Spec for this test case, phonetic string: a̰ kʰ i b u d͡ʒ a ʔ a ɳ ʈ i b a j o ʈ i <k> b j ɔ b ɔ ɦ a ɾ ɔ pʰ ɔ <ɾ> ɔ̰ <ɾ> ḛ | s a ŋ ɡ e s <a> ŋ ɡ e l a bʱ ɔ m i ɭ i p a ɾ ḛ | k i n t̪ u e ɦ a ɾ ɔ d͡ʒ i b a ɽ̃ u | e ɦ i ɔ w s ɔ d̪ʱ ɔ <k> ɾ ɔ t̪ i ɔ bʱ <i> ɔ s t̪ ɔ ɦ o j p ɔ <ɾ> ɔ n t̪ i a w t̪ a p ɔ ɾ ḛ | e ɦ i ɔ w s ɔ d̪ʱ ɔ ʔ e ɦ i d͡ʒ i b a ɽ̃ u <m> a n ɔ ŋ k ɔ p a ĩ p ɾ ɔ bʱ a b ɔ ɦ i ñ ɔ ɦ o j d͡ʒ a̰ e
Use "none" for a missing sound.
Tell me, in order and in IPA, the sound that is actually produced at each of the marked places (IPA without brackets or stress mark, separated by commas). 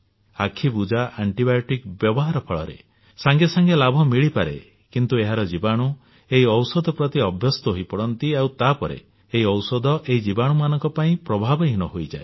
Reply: k, ɭ, ɾ, a, p, j, ɽ, m